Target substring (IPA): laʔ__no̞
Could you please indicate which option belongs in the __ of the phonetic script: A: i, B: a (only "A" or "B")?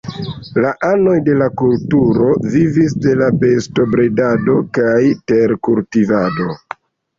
B